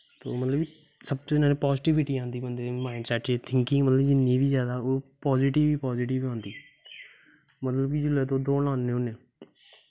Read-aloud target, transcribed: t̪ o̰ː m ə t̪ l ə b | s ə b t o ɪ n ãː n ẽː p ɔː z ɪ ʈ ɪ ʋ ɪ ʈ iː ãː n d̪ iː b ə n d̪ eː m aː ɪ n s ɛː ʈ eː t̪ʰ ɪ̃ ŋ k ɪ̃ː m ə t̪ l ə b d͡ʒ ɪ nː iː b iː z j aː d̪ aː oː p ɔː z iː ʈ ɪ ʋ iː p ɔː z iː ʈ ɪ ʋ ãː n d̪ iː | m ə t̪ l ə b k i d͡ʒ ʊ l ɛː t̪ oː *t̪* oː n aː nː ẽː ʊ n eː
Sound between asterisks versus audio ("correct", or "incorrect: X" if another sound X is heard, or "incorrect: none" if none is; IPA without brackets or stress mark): incorrect: d̪